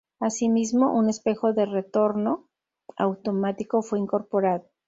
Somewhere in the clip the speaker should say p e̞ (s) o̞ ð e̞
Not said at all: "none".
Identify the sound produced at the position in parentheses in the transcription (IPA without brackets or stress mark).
x